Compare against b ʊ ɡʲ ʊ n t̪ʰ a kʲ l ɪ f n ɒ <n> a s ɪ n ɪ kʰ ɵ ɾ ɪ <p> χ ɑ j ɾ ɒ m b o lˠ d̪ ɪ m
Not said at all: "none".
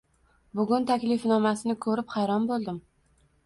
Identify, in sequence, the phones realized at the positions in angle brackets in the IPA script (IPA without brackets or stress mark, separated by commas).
m, p